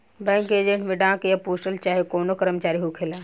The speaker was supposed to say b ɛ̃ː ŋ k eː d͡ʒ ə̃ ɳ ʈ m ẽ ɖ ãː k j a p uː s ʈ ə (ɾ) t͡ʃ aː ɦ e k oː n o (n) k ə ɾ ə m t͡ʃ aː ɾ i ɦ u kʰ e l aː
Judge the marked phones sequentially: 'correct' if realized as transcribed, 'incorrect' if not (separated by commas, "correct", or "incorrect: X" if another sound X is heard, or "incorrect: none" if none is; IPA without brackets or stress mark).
incorrect: l, incorrect: none